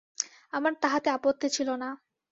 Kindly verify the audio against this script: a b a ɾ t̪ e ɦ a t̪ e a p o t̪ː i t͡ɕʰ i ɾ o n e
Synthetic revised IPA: a m a ɾ t̪ a ɦ a t̪ e a p o t̪ː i t͡ɕʰ i l o n a